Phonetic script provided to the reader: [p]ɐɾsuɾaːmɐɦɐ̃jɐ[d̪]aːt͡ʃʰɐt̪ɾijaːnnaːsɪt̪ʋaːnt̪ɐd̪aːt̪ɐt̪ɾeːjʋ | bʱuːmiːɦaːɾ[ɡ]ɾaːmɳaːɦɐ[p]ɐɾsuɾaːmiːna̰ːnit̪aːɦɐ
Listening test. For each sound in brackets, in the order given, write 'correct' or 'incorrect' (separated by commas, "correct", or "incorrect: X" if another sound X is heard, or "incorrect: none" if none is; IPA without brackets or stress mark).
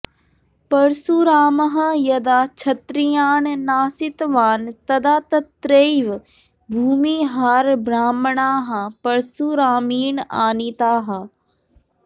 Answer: correct, correct, incorrect: b, correct